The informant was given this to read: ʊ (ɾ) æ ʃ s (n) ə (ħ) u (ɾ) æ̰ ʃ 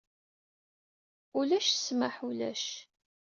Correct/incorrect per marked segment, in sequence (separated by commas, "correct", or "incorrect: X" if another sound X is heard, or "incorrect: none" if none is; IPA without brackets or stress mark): incorrect: l, incorrect: m, correct, incorrect: l